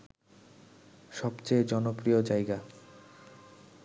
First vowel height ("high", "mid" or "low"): mid